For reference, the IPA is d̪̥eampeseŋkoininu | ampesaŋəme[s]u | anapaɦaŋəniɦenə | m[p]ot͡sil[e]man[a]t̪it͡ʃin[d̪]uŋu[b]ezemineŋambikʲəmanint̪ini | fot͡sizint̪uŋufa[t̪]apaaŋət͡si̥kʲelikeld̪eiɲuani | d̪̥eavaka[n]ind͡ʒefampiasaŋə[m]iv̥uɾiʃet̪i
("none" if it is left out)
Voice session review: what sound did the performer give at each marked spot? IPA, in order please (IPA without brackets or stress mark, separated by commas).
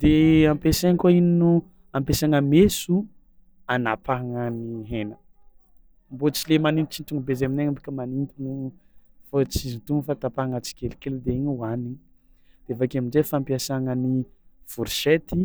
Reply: s, b, e, i, t̪, b, t̪, m, n